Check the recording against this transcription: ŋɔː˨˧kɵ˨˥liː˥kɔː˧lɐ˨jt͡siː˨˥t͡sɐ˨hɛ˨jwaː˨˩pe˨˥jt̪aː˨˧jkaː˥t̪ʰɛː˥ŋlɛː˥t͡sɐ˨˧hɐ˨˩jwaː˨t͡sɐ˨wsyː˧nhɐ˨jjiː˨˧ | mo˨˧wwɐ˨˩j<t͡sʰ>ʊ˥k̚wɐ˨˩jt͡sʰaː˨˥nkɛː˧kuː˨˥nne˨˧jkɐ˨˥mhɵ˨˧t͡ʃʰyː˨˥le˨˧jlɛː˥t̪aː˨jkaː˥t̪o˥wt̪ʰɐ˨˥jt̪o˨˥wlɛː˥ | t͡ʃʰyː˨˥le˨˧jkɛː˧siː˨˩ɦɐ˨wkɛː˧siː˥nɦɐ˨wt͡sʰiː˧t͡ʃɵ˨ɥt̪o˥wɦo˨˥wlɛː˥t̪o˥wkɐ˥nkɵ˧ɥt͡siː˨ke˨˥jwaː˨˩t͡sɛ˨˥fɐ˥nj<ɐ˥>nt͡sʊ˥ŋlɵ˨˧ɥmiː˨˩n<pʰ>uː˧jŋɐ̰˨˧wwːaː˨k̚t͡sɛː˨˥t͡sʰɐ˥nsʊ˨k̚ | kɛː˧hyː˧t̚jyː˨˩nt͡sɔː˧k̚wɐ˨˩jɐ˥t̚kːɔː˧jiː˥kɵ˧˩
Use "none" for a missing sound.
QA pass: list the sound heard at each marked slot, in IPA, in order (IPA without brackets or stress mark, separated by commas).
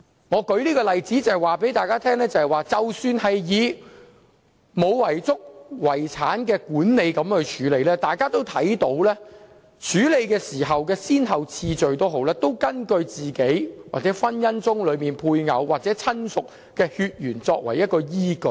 t͡s, ɐ˥, pʰ